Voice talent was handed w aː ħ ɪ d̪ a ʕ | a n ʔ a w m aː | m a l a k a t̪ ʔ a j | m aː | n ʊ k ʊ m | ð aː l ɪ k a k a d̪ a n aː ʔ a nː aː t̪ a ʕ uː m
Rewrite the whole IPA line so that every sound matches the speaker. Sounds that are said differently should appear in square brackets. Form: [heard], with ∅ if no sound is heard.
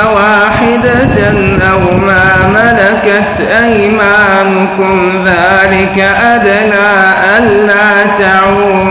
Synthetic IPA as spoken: w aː ħ ɪ d̪ a [∅] | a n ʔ a w m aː | m a l a k a t̪ ʔ a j | m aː | n ʊ k ʊ m | ð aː l ɪ k a [ʔ] a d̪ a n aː ʔ a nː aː t̪ a ʕ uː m